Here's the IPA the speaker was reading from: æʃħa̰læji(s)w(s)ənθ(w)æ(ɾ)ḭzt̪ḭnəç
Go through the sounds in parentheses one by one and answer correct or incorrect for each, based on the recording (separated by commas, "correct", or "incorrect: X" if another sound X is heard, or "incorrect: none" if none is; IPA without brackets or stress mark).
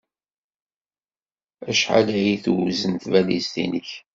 incorrect: θ, incorrect: z, incorrect: v, incorrect: l